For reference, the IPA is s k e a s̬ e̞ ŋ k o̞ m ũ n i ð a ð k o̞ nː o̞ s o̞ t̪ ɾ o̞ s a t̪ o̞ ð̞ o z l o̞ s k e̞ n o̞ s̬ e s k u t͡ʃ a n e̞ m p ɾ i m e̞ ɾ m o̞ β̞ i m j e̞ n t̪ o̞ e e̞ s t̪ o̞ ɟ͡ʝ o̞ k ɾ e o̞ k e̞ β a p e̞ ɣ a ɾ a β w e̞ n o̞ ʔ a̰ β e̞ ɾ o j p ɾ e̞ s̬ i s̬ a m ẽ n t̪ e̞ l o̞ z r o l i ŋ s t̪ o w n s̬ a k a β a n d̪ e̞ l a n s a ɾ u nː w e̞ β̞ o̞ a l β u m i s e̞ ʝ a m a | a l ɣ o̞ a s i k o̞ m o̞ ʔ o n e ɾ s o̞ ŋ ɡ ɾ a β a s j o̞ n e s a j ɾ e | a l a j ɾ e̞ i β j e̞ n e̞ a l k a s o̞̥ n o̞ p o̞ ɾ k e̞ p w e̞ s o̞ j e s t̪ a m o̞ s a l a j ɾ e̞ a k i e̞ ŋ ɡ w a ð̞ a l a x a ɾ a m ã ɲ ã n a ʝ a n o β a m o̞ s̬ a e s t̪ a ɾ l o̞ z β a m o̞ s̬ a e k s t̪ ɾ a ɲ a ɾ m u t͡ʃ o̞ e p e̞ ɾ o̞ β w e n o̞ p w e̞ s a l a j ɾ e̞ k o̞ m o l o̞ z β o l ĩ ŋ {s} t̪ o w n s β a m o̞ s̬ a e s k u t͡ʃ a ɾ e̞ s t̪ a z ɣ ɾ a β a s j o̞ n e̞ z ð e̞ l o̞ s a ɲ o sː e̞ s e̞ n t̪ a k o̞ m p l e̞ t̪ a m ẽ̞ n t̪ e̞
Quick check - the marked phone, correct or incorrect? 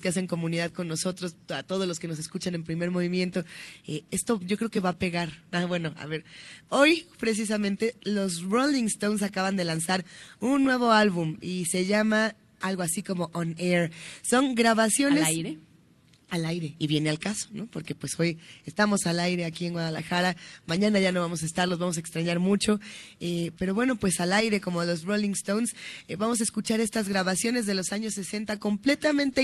correct